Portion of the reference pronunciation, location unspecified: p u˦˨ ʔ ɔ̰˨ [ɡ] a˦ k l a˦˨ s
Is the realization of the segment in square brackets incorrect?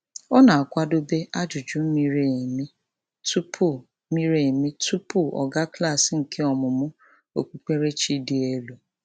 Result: no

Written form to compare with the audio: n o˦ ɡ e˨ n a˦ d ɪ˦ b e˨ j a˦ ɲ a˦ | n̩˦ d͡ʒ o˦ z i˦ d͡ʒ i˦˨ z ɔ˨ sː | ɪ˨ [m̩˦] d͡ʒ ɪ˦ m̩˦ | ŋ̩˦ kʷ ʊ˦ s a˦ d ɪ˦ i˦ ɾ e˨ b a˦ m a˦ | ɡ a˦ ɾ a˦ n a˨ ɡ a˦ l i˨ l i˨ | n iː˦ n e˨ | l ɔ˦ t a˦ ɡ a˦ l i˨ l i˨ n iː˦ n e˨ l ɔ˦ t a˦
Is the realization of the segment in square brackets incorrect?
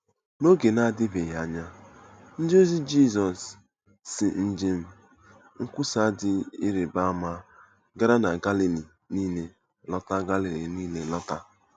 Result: yes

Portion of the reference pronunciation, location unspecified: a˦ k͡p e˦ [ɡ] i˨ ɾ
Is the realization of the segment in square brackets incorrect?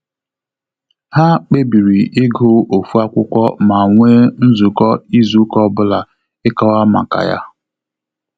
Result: yes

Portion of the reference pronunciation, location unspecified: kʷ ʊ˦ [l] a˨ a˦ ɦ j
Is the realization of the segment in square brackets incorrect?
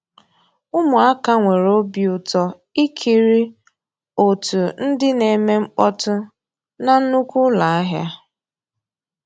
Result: no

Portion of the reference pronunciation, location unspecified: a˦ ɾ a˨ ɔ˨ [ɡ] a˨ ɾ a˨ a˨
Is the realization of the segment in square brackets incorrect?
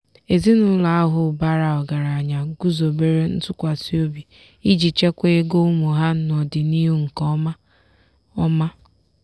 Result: no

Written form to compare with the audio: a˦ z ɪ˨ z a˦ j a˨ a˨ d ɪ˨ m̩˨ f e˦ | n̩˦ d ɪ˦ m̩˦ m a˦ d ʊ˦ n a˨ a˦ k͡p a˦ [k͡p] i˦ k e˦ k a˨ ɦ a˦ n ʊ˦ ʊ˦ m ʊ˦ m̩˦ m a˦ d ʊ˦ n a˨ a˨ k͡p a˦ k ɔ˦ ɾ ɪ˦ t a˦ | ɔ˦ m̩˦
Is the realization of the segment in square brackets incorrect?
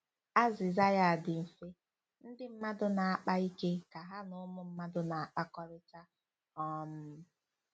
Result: yes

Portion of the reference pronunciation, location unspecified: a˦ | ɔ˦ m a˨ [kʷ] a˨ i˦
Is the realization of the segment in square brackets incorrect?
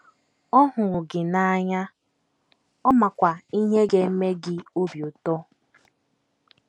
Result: no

